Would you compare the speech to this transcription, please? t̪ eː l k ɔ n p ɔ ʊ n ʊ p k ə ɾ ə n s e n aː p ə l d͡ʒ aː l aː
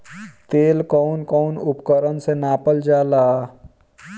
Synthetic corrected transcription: t̪ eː l k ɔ n k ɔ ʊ n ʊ p k ə ɾ ə n s e n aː p ə l d͡ʒ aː l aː